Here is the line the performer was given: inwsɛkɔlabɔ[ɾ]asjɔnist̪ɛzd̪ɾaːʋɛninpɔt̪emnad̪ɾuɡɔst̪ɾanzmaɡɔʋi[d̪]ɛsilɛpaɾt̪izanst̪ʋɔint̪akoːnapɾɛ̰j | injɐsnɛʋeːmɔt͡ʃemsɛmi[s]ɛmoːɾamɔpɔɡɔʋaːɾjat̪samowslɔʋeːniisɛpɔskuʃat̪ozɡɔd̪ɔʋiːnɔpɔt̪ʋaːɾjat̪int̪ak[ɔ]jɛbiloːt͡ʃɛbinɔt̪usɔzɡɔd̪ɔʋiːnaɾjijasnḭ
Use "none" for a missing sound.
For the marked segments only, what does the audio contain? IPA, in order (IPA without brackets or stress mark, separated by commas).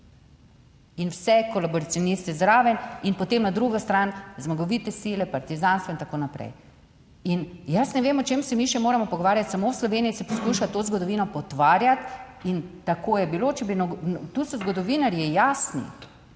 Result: ɾ, t̪, ʃ, o